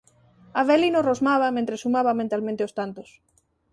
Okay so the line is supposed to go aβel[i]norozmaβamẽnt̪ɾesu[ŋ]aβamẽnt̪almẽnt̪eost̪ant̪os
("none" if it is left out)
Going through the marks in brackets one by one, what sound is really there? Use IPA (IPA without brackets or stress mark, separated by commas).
i, m